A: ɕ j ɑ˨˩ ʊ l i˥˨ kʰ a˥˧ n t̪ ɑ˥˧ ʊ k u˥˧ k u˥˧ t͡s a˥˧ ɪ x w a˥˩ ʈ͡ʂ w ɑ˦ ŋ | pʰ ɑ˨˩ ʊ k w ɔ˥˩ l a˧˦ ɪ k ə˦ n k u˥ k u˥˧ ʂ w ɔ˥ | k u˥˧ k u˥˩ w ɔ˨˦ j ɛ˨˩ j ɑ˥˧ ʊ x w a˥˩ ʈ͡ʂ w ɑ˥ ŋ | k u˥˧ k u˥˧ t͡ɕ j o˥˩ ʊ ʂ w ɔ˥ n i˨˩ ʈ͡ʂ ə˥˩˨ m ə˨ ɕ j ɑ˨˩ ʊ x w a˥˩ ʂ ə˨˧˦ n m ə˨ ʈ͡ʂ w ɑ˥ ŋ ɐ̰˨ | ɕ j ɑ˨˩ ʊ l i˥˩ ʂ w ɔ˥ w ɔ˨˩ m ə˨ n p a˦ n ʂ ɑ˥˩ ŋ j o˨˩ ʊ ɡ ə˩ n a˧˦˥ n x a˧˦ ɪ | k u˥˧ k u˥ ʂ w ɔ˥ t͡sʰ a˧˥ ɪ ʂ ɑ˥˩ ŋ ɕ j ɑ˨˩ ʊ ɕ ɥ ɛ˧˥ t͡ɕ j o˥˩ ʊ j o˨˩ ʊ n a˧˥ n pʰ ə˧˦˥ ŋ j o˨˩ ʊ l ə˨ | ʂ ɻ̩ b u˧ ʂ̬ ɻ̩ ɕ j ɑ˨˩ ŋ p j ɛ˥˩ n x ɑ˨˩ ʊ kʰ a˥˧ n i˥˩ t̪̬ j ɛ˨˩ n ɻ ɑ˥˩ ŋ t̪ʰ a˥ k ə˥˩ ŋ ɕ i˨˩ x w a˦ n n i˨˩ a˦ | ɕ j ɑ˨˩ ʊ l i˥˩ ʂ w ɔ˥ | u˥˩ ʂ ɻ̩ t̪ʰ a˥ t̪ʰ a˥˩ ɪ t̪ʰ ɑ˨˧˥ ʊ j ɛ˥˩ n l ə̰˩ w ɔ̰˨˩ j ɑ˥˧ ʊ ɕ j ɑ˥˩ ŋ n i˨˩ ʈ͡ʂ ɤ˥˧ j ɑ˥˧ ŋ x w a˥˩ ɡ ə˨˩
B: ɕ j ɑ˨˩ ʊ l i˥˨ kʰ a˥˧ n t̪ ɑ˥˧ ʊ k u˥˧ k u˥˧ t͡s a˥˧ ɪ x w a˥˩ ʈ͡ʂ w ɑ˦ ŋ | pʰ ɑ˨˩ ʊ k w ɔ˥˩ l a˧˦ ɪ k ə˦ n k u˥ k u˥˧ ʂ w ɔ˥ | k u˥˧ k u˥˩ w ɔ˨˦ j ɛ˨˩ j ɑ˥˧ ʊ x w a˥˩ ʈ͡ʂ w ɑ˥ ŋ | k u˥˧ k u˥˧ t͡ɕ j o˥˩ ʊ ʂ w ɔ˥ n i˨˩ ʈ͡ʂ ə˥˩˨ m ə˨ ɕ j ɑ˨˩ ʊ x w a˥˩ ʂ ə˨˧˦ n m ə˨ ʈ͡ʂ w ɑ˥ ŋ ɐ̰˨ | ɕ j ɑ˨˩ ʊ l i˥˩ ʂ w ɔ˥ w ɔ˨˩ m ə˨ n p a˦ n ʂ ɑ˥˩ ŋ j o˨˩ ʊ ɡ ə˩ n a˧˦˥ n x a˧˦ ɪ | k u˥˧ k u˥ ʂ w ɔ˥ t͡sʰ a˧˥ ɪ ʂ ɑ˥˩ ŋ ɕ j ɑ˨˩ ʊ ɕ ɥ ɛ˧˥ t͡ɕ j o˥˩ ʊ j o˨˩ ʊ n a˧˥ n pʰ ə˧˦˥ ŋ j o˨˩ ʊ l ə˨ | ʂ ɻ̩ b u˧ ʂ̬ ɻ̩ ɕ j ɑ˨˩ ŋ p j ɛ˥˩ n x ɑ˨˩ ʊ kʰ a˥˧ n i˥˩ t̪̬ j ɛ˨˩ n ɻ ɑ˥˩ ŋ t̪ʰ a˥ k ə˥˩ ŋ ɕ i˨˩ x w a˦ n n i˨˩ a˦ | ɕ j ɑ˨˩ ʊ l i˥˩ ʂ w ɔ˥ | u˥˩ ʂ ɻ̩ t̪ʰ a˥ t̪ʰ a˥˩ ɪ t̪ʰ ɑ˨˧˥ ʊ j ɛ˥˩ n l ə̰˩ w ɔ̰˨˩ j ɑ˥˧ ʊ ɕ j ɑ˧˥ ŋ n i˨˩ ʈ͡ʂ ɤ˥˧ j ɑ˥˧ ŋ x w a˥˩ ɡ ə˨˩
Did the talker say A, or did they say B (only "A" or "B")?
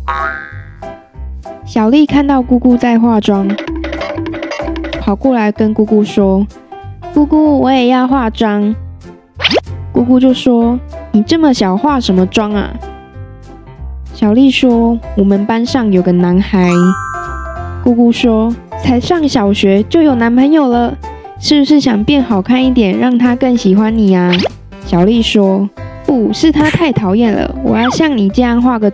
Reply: A